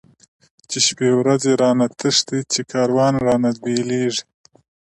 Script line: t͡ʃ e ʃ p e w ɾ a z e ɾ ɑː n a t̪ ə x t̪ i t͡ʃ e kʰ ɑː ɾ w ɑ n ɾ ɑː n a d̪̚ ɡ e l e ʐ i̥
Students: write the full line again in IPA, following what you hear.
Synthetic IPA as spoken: t͡ʃ e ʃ p e w ɾ a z e ɾ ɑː n a t̪ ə ʂ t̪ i t͡ʃ e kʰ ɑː ɾ w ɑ n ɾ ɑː n a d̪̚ b e l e ʐ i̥

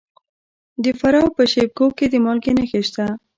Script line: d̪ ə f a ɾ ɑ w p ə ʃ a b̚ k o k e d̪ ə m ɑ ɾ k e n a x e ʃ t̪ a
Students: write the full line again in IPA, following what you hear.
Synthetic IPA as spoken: d̪ ə f a ɾ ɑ w p ə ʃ e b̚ k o k e d̪ ə m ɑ l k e n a x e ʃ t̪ a

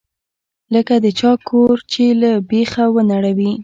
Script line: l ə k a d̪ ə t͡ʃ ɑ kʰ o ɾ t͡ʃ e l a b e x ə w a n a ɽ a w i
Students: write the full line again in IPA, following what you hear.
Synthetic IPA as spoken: l ə k a d̪ ə t͡ʃ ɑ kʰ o ɾ t͡ʃ e l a b e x a w ə n a ɽ a w i

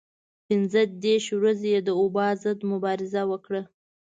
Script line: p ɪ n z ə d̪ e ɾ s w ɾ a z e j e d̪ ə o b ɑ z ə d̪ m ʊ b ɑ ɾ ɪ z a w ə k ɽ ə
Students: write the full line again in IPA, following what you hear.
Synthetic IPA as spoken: p ɪ n z ə d̪ e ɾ ʃ w ɾ a z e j e d̪ ə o b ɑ z ə d̪ m ʊ b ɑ ɾ ɪ z a w ə k ɽ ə

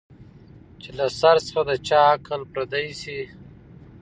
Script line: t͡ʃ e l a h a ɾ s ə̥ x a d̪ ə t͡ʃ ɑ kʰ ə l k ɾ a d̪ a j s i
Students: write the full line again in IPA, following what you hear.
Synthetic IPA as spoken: t͡ʃ e l a s a ɾ s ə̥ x a d̪ ə t͡ʃ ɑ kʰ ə l p ɾ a d̪ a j s i

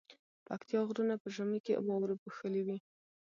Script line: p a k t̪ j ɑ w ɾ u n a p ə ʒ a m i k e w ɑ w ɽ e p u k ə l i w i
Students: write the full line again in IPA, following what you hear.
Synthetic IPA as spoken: p a k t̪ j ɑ ɣ ɾ u n a p ə ʒ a m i k e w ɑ w ɾ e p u x ə l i w i

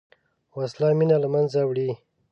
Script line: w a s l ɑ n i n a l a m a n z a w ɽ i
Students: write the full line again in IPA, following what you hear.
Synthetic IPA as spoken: w a s l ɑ m i n a l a m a n z a w ɽ i

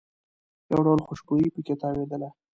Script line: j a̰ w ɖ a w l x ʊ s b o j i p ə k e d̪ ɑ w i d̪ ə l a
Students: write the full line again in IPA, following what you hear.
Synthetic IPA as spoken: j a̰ w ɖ a w l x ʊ ʃ b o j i p ə k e t̪ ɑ w e d̪ ə l a

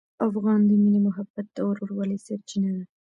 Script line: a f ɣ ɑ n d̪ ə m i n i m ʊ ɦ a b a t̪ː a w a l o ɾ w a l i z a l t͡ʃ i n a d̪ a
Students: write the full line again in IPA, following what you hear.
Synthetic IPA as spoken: a f ɣ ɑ n d̪ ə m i n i m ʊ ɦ a b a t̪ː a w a ɾ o ɾ w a l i s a ɾ t͡ʃ i n a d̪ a

